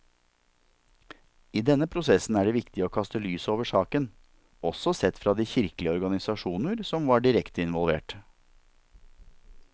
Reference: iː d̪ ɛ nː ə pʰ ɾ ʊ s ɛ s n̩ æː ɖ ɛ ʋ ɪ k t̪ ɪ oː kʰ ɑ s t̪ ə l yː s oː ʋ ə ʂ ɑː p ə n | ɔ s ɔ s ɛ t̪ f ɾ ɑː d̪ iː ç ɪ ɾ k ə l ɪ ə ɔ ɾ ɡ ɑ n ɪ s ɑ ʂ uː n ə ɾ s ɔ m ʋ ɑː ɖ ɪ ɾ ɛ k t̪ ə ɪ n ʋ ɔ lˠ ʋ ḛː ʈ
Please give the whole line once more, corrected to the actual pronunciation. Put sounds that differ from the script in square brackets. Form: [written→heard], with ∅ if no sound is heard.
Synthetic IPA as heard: iː d̪ ɛ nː ə pʰ ɾ ʊ s ɛ s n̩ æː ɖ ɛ ʋ ɪ k t̪ ɪ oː kʰ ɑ s t̪ ə l yː s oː ʋ ə ʂ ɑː [p→k] ə n | ɔ s ɔ s ɛ t̪ f ɾ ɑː d̪ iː ç ɪ ɾ k ə l ɪ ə ɔ ɾ ɡ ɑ n ɪ s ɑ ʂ uː n ə ɾ s ɔ m ʋ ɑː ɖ ɪ ɾ ɛ k t̪ ə ɪ n ʋ ɔ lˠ ʋ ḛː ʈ